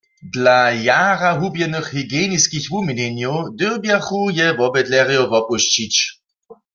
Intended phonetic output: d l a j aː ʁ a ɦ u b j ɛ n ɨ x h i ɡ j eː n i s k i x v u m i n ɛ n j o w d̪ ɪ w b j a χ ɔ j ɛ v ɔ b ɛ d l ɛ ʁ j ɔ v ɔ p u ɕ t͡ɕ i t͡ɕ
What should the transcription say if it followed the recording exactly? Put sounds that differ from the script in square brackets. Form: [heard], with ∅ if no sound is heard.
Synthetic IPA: d l a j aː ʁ a ɦ u b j ɛ n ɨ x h i ɡ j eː n i s k i x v u m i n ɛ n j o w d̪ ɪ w b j a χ [u] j ɛ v ɔ b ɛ d l ɛ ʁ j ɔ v ɔ p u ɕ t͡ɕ i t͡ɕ